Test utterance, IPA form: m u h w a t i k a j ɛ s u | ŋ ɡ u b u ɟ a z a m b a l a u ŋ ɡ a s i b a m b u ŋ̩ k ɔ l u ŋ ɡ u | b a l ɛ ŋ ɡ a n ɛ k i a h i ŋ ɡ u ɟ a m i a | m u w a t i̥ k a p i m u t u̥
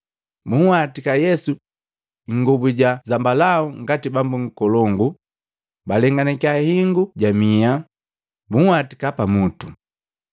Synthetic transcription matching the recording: m u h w a t i k a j ɛ s u | ŋ ɡ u b u ɟ a z a m b a l a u ŋ ɡ a t i b a m b u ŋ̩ k ɔ l ɔ ŋ ɡ u | b a l ɛ ŋ ɡ a n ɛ k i a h i ŋ ɡ u ɟ a m i a | m u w a t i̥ k a p a m u t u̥